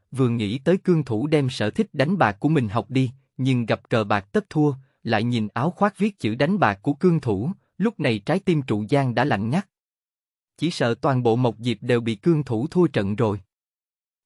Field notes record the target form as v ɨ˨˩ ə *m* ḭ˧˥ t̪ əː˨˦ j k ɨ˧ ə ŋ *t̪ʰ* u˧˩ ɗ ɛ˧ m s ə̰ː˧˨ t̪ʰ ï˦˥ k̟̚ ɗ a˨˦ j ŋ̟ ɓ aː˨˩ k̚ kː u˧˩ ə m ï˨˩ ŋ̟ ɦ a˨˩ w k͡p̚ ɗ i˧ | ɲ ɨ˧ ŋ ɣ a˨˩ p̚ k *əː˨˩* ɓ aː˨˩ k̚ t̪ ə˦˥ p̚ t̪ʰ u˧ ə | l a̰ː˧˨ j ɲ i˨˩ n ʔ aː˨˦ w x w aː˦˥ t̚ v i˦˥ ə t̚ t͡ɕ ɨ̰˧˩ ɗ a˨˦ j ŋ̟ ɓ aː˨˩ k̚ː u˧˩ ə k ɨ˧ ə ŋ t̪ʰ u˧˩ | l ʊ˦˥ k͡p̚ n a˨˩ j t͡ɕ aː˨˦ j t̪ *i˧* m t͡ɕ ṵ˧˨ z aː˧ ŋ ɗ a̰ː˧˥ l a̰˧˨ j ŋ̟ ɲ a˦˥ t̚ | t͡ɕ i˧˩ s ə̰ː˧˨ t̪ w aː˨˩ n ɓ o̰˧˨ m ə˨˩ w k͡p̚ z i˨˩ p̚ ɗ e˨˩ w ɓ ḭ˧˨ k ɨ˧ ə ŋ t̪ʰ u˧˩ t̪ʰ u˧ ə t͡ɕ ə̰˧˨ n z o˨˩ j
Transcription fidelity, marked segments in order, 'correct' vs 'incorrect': incorrect: ŋ, correct, correct, correct

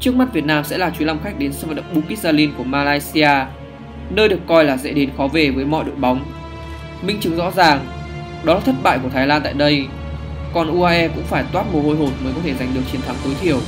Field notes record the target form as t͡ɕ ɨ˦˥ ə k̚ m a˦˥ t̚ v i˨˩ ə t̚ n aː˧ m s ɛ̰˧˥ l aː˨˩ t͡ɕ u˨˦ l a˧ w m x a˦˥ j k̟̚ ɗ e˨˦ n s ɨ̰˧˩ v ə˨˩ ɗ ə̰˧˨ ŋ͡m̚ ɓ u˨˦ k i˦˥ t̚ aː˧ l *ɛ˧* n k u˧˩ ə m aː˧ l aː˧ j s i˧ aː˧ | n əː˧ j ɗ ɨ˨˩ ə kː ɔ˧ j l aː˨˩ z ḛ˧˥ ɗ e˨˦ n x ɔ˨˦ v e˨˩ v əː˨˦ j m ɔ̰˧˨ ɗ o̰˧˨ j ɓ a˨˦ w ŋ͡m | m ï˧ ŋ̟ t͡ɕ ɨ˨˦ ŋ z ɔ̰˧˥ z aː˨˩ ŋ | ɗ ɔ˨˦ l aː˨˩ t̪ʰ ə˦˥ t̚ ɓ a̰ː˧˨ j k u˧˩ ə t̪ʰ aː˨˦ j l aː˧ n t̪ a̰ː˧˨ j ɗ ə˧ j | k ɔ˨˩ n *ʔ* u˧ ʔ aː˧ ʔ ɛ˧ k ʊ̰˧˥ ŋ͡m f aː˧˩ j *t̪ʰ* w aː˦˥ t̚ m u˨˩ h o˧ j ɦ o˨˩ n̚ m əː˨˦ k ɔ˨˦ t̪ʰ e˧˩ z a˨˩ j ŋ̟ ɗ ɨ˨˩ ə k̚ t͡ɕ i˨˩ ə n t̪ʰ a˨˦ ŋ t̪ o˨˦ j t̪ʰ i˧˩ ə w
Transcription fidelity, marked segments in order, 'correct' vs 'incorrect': incorrect: i˧, correct, incorrect: t̪

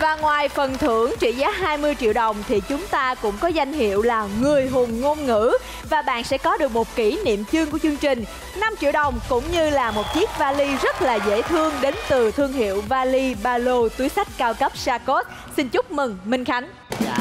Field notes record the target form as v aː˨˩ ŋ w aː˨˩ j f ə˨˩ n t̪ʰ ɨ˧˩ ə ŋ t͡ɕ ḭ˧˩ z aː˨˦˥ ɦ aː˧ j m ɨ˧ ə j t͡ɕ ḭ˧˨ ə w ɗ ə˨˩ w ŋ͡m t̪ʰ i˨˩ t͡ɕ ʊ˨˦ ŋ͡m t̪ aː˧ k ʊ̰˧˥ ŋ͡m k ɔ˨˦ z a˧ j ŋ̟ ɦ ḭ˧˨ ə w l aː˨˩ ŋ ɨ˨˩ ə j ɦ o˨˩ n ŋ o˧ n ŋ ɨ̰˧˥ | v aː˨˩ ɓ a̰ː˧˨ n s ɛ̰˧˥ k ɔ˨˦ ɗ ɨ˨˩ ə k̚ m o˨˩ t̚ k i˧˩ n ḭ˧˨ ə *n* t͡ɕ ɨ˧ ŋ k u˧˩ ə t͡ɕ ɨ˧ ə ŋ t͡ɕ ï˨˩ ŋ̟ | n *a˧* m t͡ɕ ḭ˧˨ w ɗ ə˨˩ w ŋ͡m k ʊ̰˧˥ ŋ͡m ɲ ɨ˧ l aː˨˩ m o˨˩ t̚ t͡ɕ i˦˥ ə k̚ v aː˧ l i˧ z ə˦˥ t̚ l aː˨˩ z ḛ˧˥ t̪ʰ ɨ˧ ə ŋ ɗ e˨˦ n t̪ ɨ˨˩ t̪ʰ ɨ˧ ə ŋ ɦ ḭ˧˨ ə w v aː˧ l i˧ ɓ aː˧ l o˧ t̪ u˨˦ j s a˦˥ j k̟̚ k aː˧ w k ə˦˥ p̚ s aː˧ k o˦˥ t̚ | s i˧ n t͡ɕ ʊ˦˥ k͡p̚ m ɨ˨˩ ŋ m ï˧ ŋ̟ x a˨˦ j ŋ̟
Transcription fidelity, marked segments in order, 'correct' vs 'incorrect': incorrect: m, correct

